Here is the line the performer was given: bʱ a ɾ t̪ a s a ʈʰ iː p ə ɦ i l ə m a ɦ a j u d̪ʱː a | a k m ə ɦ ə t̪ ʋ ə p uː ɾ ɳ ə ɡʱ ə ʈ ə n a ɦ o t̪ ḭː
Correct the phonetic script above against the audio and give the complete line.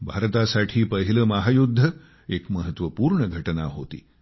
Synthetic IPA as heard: bʱ a ɾ t̪ a s a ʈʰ iː p ə ɦ i l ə m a ɦ a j u d̪ʱː ə | e k m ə ɦ ə t̪ ʋ ə p uː ɾ ɳ ə ɡʱ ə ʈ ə n a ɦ o t̪ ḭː